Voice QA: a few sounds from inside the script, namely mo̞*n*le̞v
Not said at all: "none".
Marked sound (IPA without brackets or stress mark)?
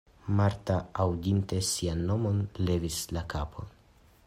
n